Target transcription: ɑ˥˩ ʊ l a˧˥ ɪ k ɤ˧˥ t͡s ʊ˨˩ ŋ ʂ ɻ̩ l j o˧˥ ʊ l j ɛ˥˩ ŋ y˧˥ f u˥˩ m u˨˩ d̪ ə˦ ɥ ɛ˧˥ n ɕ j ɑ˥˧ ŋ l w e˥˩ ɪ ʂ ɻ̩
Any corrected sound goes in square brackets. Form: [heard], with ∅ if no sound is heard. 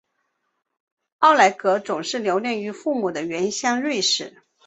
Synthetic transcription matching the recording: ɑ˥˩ ʊ l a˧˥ ɪ k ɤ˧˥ t͡s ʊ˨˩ ŋ ʂ ɻ̩ l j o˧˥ ʊ l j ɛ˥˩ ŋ y˧˥ f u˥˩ m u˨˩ d̪ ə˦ ɥ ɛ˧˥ n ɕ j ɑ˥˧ ŋ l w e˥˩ ɪ ʂ ɻ̩